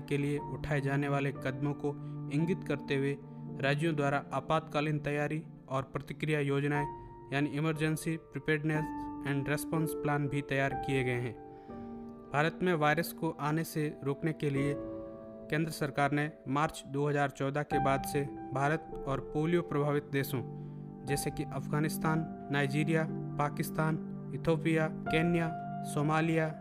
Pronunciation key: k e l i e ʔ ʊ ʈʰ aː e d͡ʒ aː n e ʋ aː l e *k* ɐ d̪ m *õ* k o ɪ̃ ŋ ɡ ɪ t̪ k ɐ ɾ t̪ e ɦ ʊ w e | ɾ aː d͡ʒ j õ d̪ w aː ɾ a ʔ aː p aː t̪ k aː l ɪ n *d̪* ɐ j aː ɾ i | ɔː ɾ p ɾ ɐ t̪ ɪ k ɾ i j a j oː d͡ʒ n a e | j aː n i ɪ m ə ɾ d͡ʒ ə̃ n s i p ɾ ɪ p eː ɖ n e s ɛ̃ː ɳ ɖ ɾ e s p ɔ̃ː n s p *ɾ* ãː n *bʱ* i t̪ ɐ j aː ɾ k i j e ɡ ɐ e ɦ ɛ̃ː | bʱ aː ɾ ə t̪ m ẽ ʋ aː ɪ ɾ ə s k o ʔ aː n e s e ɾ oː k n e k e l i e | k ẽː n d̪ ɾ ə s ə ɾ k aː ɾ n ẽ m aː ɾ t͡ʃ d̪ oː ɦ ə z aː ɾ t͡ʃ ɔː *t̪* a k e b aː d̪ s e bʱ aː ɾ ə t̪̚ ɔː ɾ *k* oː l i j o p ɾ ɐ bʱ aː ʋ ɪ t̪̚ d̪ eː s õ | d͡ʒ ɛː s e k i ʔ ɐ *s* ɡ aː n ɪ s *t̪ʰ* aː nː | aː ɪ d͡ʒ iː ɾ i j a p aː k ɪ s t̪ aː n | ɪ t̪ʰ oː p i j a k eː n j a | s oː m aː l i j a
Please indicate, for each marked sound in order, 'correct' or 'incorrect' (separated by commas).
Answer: correct, correct, incorrect, incorrect, correct, incorrect, incorrect, incorrect, incorrect